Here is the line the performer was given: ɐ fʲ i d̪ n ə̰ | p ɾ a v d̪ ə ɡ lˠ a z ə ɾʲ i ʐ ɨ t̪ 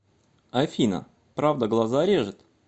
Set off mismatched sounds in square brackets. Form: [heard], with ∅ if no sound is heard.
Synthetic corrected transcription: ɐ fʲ i [∅] n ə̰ | p ɾ a v d̪ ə ɡ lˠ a z [a] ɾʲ [e] ʐ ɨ t̪